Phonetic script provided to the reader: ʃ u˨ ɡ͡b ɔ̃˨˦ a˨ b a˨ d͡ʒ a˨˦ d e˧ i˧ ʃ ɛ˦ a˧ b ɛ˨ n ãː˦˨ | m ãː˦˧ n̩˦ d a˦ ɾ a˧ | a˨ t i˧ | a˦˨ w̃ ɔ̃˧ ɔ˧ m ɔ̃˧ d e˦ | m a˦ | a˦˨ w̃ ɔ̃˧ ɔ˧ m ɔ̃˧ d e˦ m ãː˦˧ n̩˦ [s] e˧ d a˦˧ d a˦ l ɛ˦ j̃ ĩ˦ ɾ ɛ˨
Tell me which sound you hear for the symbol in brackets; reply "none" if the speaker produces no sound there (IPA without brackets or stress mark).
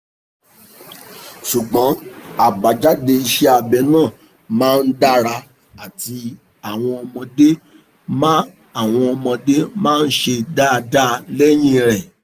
ʃ